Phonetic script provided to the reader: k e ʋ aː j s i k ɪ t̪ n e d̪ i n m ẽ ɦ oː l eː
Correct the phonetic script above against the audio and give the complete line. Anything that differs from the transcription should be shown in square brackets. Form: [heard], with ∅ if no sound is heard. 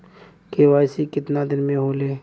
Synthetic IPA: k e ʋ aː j s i k ɪ t̪ n [a] d̪ [ɪ] n m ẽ ɦ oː l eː